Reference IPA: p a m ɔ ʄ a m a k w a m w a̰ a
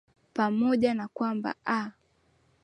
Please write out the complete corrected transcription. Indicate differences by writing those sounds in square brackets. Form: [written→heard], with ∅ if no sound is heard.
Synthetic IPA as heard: p a m ɔ ʄ a [m→n] a k w a m [w→b] a̰ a